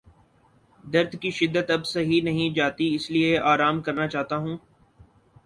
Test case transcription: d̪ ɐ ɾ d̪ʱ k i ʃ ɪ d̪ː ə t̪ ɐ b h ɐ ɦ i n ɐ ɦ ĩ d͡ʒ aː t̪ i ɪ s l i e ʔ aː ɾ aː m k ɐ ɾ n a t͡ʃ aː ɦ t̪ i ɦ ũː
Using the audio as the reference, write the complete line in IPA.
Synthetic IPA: d̪ ɐ ɾ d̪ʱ k i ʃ ɪ d̪ː ə t̪ ɐ b s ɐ ɦ i n ɐ ɦ ĩ d͡ʒ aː t̪ i ɪ s l i e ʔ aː ɾ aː m k ɐ ɾ n a t͡ʃ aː ɦ t̪ a ɦ ũː

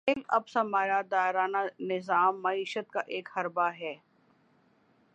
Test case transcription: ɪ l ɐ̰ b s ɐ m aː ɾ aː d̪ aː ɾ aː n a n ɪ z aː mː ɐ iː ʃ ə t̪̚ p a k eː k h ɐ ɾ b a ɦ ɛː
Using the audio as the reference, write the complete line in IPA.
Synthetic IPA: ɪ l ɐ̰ b s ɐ m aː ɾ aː d̪ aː ɾ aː n a n ɪ z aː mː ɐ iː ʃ ə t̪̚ k a ʔ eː k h ɐ ɾ b a ɦ ɛː

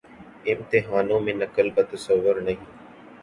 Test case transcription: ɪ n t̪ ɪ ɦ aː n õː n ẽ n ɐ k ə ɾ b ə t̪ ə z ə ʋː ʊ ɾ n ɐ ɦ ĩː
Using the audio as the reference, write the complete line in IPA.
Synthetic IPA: ɪ m t̪ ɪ ɦ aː n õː m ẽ n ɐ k ə l b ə t̪ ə s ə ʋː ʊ ɾ n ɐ ɦ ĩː

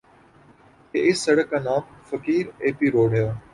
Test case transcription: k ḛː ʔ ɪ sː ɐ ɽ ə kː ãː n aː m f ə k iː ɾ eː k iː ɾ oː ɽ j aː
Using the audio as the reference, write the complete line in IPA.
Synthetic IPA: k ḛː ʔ ɪ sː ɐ ɽ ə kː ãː n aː m f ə k iː ɾ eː p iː ɾ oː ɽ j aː

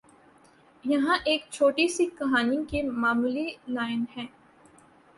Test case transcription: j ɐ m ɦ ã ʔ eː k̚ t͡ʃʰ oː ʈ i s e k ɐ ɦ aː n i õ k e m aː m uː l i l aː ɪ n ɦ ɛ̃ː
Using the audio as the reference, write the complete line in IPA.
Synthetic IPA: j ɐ ɦ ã ʔ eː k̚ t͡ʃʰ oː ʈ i s i k ɐ ɦ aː n i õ k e m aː m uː l i l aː ɪ n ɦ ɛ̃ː

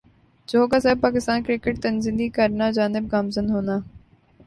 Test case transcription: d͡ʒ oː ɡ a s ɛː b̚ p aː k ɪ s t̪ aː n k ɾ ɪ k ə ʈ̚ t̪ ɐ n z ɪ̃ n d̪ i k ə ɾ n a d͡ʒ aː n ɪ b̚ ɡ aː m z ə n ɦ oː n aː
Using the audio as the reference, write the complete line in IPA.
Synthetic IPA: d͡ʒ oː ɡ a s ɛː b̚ p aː k ɪ s t̪ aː n k ɾ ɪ k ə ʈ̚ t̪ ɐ n z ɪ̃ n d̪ i k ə ɾ n a d͡ʒ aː n ɪ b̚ ɡ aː m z ə n ɦ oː n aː

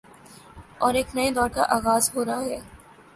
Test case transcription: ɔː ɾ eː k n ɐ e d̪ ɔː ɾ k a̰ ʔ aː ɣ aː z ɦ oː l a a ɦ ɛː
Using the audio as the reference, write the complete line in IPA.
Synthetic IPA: ɔː ɾ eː k n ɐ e d̪ ɔː ɾ k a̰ ʔ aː ɣ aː z ɦ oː ɾ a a ɦ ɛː

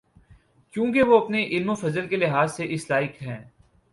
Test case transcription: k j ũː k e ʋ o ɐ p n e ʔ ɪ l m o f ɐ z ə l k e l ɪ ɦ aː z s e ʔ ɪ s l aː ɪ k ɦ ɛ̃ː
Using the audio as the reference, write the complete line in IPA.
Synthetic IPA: k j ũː k e ʋ o ɐ p n e ʔ ɪ l m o f ɐ z ə l k e l ɪ ɦ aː z s e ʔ ɪ s l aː ɪ k ɦ ɛ̃ː

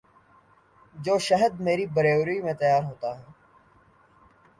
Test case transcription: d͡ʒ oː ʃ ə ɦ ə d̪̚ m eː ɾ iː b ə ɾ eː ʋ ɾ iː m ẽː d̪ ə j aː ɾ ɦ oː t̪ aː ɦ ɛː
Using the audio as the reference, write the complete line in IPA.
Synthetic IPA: d͡ʒ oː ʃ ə ɦ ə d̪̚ m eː ɾ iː b ə ɾ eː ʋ ɾ iː m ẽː t̪ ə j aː ɾ ɦ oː t̪ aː ɦ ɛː

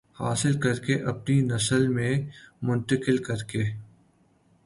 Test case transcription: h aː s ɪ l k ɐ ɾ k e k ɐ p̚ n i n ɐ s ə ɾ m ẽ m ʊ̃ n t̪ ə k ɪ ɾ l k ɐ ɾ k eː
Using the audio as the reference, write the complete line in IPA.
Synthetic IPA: h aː s ɪ l k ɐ ɾ k e ʔ ɐ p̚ n i n ɐ s ə l m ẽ m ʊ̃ n t̪ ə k ɪ l k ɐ ɾ k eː

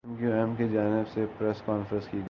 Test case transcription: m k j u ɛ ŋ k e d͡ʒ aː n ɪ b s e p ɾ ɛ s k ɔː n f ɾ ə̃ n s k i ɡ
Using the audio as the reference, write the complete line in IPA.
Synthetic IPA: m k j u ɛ m k e d͡ʒ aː n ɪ b s e p ɾ ɛ s k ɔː n f ɾ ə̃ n s k i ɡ

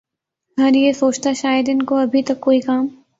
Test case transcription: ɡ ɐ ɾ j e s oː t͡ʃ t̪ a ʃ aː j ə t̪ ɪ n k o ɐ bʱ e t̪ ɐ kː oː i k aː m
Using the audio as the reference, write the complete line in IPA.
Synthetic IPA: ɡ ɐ ɾ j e s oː t͡ʃ t̪ a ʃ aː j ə d̪ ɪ n k o ɐ bʱ i t̪ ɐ kː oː i k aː m

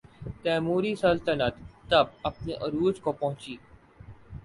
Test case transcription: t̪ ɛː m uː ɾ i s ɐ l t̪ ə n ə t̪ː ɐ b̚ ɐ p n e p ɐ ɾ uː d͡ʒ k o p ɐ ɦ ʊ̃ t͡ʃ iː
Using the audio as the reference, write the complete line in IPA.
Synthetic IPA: t̪ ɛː m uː ɾ i s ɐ l t̪ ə n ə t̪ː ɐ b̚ ɐ p n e ʔ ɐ ɾ uː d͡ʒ k o p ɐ ɦ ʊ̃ t͡ʃ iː

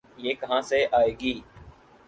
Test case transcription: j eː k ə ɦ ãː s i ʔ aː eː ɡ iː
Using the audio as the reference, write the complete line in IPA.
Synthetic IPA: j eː k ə ɦ ãː s e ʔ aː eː ɡ iː

